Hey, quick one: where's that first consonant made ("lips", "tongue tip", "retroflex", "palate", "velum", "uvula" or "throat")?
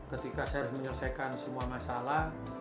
velum